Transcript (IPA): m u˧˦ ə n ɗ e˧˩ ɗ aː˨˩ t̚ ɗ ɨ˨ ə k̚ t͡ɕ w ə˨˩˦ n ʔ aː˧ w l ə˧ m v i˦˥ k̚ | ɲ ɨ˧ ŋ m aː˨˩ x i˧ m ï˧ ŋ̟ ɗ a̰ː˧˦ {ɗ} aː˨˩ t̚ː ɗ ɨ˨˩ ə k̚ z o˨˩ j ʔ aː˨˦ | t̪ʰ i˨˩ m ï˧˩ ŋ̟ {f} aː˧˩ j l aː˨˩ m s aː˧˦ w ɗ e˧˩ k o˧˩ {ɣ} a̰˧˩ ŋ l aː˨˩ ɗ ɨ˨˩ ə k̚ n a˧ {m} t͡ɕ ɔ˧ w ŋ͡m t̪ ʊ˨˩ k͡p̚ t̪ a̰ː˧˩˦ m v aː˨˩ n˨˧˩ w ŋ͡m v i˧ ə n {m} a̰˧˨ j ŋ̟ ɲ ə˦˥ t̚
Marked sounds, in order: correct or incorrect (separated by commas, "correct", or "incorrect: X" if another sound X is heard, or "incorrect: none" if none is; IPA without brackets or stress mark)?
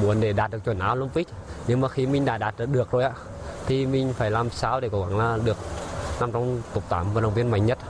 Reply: correct, correct, correct, correct, correct